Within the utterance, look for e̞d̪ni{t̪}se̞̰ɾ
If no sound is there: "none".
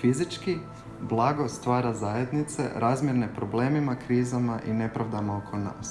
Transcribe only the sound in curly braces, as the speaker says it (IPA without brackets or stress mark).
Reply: t̪